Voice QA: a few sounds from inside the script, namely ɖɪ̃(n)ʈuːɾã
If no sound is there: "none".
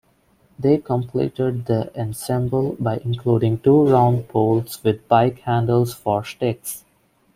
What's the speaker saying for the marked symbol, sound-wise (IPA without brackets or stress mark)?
ŋ